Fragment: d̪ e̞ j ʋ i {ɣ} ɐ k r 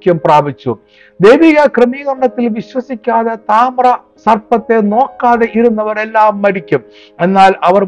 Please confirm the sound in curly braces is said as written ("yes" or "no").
yes